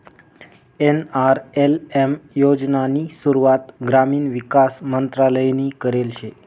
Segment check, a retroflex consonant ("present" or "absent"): absent